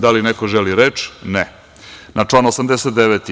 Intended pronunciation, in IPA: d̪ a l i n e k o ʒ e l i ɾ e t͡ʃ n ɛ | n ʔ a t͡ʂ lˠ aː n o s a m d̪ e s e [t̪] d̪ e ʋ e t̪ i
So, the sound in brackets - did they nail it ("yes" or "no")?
yes